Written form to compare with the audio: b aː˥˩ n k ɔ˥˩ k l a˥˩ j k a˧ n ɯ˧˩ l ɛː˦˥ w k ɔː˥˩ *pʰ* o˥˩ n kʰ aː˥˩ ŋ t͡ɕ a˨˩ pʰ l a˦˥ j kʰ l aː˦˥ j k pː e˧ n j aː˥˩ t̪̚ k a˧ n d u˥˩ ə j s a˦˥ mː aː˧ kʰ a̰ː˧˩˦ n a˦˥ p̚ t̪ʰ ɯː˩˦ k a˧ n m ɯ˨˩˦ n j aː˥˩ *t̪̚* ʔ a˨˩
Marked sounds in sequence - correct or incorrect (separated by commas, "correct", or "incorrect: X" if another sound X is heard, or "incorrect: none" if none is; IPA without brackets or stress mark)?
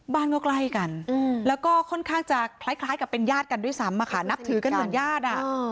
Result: incorrect: kʰ, correct